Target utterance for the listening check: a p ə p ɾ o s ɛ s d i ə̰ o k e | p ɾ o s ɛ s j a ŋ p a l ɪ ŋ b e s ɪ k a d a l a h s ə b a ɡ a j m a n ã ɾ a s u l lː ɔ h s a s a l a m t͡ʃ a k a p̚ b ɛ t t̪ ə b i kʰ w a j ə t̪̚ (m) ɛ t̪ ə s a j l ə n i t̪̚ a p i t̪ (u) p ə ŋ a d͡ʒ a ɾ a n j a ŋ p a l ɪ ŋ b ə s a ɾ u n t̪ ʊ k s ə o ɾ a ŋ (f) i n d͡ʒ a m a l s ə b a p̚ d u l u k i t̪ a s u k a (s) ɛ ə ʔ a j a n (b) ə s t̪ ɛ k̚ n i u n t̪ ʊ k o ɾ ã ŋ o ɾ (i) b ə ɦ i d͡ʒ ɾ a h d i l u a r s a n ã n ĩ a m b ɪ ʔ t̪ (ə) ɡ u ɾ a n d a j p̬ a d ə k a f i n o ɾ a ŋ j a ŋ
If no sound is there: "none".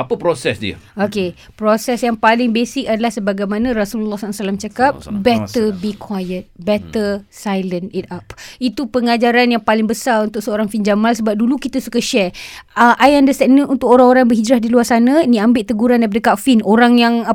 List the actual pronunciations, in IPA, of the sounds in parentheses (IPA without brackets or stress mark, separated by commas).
b, u, f, ʃ, d, a, ə